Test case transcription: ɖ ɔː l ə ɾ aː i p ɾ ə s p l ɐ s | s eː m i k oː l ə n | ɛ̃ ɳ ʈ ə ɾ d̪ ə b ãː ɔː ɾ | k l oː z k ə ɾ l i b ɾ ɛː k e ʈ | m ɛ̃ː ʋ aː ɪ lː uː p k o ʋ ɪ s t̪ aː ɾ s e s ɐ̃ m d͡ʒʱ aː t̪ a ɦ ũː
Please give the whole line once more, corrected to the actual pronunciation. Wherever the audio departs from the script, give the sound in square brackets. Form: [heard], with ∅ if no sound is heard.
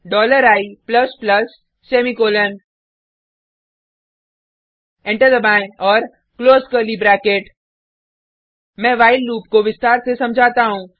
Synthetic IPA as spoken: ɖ ɔː l ə ɾ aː i p [l] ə s p l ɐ s | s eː m i k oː l ə n | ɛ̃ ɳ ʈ ə ɾ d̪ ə b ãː ɔː ɾ | k l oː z k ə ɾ l i b ɾ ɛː k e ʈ | m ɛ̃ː ʋ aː ɪ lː uː p k o ʋ ɪ s t̪ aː ɾ s e s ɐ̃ m d͡ʒʱ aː t̪ a ɦ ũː